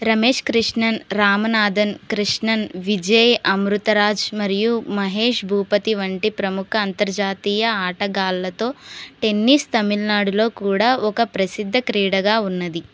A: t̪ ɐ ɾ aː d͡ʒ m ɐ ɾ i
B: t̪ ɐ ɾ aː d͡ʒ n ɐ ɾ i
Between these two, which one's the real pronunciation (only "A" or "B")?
A